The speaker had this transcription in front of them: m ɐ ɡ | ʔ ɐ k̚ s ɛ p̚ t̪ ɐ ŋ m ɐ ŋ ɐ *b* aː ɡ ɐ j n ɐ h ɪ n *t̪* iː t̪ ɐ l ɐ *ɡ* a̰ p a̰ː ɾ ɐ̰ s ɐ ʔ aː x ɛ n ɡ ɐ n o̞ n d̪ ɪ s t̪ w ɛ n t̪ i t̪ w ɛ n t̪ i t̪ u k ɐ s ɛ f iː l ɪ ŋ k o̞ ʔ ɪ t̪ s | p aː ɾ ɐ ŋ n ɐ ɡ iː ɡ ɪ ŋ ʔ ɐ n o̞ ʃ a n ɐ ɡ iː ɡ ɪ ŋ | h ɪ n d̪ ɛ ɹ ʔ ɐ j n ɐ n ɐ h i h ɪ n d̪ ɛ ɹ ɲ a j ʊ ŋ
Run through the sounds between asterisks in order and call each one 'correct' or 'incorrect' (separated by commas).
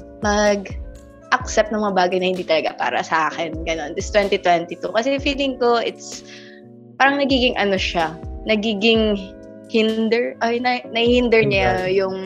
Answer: correct, incorrect, correct